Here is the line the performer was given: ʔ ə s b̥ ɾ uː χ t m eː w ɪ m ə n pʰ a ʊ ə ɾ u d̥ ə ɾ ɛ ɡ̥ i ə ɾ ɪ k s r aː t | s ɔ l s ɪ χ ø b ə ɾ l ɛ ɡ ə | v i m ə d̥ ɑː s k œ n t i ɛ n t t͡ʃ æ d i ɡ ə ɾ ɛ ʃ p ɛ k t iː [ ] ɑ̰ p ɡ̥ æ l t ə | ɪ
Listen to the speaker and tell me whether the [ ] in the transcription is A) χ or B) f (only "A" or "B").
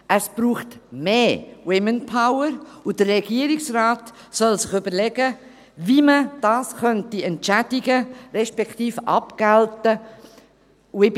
B